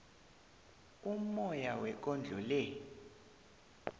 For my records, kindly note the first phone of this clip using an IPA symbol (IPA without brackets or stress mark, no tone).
u